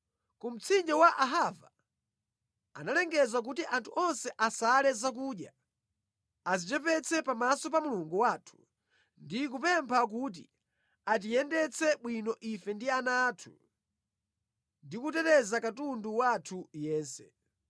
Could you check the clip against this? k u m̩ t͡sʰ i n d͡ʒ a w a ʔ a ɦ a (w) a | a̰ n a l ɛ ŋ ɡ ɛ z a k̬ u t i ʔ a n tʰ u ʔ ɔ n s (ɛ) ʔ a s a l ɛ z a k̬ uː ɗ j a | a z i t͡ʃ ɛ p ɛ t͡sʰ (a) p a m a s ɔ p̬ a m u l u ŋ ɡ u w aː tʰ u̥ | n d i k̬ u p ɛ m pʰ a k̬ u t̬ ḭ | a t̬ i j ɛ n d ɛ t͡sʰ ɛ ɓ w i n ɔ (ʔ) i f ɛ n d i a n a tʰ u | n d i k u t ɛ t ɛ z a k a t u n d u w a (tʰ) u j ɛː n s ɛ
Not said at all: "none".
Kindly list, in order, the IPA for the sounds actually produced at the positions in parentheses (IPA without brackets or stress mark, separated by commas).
v, ɛ, ɛ, ʔ, tʰ